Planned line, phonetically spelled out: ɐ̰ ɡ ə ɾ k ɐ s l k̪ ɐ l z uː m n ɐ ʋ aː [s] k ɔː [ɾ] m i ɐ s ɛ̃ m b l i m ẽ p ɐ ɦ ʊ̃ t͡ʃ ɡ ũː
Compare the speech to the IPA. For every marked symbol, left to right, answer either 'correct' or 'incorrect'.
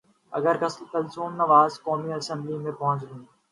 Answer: incorrect, incorrect

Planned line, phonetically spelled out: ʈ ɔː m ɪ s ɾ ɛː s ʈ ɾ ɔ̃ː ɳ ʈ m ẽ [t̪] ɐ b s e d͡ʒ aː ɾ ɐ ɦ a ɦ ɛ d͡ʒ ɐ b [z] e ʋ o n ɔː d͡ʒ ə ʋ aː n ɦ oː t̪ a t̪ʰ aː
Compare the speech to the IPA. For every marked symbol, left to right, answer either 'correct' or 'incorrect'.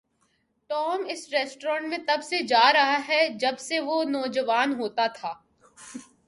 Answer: correct, incorrect

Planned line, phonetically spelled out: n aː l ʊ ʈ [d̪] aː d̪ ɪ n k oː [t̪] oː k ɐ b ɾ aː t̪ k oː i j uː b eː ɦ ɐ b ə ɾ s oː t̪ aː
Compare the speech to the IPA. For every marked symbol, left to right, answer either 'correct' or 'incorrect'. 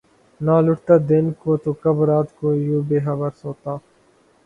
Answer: incorrect, correct

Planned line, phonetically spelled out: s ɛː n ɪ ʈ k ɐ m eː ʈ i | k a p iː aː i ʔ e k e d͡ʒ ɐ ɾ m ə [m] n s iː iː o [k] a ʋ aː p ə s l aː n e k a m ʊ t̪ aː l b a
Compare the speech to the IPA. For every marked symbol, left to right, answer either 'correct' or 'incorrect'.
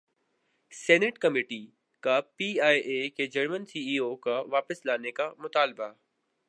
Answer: incorrect, correct

